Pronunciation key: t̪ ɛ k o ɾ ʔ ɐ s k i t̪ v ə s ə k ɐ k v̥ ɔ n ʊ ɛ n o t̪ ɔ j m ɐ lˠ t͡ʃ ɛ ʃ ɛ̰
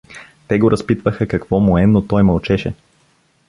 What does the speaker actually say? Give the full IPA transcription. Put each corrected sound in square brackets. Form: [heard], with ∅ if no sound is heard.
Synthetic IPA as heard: t̪ ɛ [ɡ] o ɾ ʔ ɐ s [p] i t̪ v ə [x] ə k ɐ k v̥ ɔ [m] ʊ ɛ n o t̪ ɔ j m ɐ lˠ t͡ʃ ɛ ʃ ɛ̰